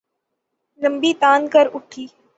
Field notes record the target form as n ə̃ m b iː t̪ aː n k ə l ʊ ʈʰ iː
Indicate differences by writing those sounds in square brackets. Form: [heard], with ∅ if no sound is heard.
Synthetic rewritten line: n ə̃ m b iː t̪ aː n k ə [ɾ] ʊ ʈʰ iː